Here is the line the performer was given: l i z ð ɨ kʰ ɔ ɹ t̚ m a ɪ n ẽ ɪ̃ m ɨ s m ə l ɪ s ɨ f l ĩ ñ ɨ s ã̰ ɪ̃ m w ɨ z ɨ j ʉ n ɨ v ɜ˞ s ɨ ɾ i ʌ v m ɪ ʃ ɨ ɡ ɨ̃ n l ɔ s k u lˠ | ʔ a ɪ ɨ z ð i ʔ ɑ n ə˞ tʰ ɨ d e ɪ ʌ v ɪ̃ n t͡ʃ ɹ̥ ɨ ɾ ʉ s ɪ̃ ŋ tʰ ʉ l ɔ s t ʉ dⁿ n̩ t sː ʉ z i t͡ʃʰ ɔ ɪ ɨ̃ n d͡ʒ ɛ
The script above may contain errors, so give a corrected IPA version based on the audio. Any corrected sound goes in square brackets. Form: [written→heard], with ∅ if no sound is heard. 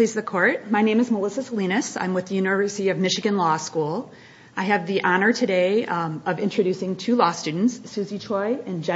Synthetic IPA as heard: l i z ð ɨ kʰ ɔ ɹ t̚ m a ɪ n ẽ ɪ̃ m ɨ [s→z] m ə l ɪ s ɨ [f→s] l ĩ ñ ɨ s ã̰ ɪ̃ m w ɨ [z→ð] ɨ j ʉ n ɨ v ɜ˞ s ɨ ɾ i ʌ v m ɪ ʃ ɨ ɡ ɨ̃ n l ɔ s k u lˠ | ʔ a ɪ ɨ [z→v] ð i ʔ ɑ n ə˞ tʰ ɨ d e ɪ ʌ v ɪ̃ n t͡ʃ ɹ̥ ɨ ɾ ʉ s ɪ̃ ŋ tʰ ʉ l ɔ s t ʉ dⁿ n̩ t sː ʉ z i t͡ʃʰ ɔ ɪ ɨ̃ n d͡ʒ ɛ

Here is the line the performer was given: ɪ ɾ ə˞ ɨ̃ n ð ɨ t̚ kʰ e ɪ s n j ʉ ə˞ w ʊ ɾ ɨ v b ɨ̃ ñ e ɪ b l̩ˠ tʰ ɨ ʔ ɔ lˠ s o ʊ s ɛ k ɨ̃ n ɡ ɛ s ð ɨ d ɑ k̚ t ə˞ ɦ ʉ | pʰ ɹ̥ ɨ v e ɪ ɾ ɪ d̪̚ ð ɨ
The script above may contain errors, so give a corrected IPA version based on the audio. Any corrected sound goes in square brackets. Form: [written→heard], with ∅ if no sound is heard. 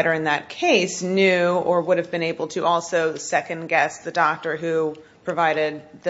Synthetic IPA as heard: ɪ ɾ ə˞ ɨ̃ n ð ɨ t̚ kʰ e ɪ s n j ʉ ə˞ w ʊ ɾ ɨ v b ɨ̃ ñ e ɪ b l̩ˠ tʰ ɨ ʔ ɔ lˠ s o ʊ s ɛ k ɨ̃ n ɡ ɛ s ð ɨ d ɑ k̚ t ə˞ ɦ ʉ | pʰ ɹ̥ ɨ v [e→a] ɪ ɾ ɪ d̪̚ ð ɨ

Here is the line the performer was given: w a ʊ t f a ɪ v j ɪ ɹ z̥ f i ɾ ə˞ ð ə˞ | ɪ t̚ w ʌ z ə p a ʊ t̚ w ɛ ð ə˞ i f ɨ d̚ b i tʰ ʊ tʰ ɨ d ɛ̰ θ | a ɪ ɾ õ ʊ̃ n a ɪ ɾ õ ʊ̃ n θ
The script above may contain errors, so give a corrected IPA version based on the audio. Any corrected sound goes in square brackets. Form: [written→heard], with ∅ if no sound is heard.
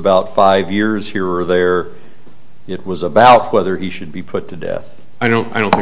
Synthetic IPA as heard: [w→b] a ʊ t f a ɪ v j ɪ ɹ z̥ [f→h] i [ɾ→ɹ] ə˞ ð ə˞ | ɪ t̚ w ʌ z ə [p→b] a ʊ t̚ w ɛ ð ə˞ i [f→ʃ] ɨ d̚ b i [tʰ→pʰ] ʊ tʰ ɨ d ɛ̰ θ | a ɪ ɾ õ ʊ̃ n a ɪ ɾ õ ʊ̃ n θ

